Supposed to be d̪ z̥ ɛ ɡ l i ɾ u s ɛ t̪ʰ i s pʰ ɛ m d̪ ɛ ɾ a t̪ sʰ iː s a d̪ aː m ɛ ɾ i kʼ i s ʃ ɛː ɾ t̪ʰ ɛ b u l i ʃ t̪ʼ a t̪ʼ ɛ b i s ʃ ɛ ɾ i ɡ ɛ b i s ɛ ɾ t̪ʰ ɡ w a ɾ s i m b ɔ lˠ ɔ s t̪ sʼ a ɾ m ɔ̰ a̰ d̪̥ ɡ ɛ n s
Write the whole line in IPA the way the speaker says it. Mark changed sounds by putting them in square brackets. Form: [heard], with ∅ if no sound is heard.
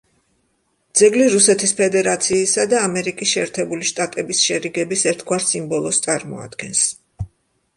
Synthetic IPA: d̪ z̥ ɛ ɡ l i ɾ u s ɛ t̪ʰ i s pʰ ɛ [∅] d̪ ɛ ɾ a t̪ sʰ iː s a d̪ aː m ɛ ɾ i kʼ i s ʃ ɛː ɾ t̪ʰ ɛ b u l i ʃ t̪ʼ a t̪ʼ ɛ b i s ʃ ɛ ɾ i ɡ ɛ b i s ɛ ɾ t̪ʰ ɡ w a ɾ s i m b ɔ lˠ ɔ s t̪ sʼ a ɾ m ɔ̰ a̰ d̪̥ ɡ ɛ n s